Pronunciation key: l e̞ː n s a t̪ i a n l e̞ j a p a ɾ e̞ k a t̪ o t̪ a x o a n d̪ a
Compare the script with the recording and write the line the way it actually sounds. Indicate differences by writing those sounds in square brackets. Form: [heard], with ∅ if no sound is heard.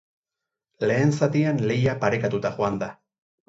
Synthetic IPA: l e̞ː n s a t̪ i a n l e̞ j a p a ɾ e̞ k a t̪ [u] t̪ a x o a n d̪ a

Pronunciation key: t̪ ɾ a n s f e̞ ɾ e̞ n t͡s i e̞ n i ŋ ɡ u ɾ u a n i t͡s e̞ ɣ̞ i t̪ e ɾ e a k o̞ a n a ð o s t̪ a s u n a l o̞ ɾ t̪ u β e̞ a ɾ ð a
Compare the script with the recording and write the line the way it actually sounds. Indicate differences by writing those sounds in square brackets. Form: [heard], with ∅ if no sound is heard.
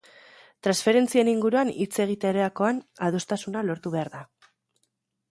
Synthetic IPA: t̪ ɾ a n s f e̞ ɾ e̞ n t͡s i e̞ n i ŋ ɡ u ɾ u a n i t͡s e̞ ɣ̞ i t̪ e ɾ e a k o̞ a n a ð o s t̪ a s u n a l o̞ ɾ t̪ u β e̞ a ɾ ð a

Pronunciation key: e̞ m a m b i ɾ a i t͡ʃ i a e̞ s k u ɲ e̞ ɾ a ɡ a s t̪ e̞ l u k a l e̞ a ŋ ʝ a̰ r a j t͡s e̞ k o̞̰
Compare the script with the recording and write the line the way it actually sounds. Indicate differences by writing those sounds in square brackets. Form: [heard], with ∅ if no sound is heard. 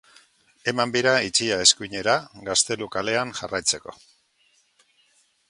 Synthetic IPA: e̞ m a m b i ɾ a i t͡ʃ i a e̞ s k u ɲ e̞ ɾ a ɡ a s t̪ e̞ l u k a l e̞ a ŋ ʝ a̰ r a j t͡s e̞ k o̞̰

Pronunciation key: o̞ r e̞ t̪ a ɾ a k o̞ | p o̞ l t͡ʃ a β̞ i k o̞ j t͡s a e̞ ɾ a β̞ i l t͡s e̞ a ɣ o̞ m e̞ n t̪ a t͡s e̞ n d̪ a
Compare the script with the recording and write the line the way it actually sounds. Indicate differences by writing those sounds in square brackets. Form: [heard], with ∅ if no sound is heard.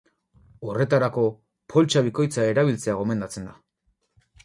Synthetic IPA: o̞ r e̞ t̪ a ɾ a k o̞ | p o̞ l t͡ʃ a β̞ i k o̞ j t͡s a e̞ ɾ a β̞ i l t͡s e̞ a ɣ o̞ m e̞ n [d̪] a t͡s e̞ n d̪ a

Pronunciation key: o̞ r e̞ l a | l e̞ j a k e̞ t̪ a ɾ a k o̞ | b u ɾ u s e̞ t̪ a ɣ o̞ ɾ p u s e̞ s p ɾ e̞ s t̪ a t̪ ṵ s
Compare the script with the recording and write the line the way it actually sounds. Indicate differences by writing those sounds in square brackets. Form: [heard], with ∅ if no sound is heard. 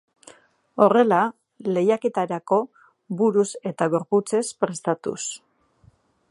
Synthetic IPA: o̞ r e̞ l a | l e̞ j a k e̞ t̪ a ɾ a k o̞ | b u ɾ u s e̞ t̪ a ɣ o̞ ɾ p u [t͡s] e̞ s p ɾ e̞ s t̪ a t̪ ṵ s

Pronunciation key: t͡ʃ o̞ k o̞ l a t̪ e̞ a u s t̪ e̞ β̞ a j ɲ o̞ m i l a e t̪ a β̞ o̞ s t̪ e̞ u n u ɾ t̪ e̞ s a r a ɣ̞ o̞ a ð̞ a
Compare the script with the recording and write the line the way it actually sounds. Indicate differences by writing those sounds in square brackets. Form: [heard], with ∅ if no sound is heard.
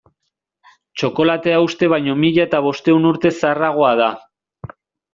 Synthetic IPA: t͡ʃ o̞ k o̞ l a t̪ e̞ a u s t̪ e̞ β̞ a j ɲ o̞ m i [ʎ] a e t̪ a β̞ o̞ s t̪ e̞ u n u ɾ t̪ e̞ s a r a ɣ̞ o̞ a ð̞ a

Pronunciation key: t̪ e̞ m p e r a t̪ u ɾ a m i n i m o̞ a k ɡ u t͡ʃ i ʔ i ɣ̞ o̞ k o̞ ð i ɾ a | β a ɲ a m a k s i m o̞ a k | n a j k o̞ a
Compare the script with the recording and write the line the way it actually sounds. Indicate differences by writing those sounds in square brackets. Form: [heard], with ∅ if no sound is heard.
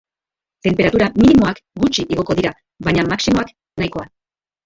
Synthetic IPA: t̪ e̞ m p e [ɾ] a t̪ u ɾ a m i n i m o̞ a k ɡ u t͡ʃ i ʔ i ɣ̞ o̞ k o̞ ð i ɾ a | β a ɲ a m a k s i m o̞ a k | n a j k o̞ a

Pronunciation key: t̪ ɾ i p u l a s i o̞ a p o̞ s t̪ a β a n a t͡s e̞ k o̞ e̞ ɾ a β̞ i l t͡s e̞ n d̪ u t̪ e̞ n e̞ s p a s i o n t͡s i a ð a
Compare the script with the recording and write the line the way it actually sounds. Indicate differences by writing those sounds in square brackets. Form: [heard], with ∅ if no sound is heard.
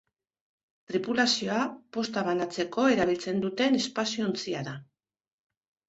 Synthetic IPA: t̪ ɾ i p u l a s i o̞ a p o̞ s t̪ a β a n a t͡s e̞ k o̞ e̞ ɾ a β̞ i l t͡s e̞ n d̪ u t̪ e̞ n e̞ s p a s i o n t͡s i a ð a

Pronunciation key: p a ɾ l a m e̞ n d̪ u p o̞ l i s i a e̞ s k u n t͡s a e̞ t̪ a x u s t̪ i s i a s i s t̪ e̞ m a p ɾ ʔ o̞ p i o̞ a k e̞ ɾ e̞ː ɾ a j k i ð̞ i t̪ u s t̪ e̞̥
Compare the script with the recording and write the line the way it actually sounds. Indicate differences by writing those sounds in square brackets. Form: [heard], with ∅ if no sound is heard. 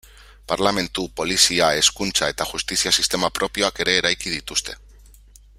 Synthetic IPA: p a ɾ l a m e̞ n [t̪] u p o̞ l i s i a e̞ s k u n t͡s a e̞ t̪ a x u s t̪ i s i a s i s t̪ e̞ m a p ɾ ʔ o̞ p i o̞ a k e̞ ɾ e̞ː ɾ a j k i ð̞ i t̪ u s t̪ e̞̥

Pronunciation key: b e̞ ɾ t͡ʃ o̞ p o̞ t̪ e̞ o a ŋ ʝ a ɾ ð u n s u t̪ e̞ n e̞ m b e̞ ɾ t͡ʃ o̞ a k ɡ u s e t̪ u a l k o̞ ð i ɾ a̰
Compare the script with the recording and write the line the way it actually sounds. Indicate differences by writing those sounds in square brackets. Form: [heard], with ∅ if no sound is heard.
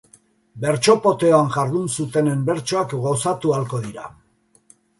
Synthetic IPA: b e̞ ɾ t͡ʃ o̞ p o̞ t̪ e̞ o a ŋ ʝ a ɾ ð u n s u t̪ e̞ n e̞ m b e̞ ɾ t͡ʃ o̞ a k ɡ [o] s [a] t̪ u a l k o̞ ð i ɾ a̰

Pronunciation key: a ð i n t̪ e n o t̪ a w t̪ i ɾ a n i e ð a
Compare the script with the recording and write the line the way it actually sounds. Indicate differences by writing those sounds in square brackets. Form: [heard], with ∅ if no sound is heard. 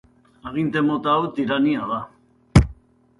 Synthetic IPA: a [ɣ] i n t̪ e [m] o t̪ a w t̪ i ɾ a n i [a] ð a

